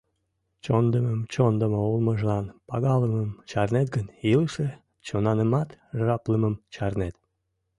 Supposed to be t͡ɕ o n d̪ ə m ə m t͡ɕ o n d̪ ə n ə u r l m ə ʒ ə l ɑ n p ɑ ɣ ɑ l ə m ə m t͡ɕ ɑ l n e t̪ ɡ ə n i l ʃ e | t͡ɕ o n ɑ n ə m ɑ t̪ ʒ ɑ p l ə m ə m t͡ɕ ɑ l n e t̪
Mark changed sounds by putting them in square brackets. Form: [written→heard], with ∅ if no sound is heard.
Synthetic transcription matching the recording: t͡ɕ o n d̪ ə m ə m t͡ɕ o n d̪ ə [n→m] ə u [r→∅] l m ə ʒ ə l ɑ n p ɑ ɣ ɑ l ə m ə m t͡ɕ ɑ [l→r] n e t̪ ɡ ə n i l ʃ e | t͡ɕ o n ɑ n ə m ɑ t̪ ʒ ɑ p l ə m ə m t͡ɕ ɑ [l→r] n e t̪